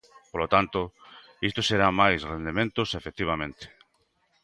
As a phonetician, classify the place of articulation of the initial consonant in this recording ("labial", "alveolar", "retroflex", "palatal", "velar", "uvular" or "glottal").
labial